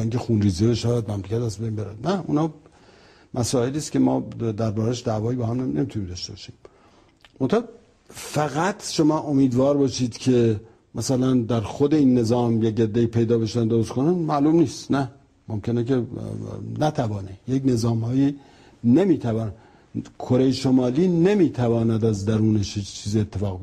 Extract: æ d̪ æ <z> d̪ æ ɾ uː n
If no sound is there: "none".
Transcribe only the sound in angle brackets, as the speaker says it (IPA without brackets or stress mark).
z